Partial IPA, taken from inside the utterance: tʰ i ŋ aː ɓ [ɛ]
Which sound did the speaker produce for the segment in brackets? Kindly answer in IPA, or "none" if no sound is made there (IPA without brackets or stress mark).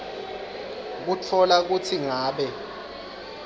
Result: ɛ